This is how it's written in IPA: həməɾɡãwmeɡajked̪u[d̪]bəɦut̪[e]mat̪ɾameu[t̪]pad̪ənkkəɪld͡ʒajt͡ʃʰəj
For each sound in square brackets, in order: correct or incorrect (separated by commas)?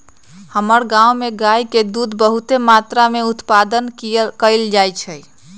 correct, correct, correct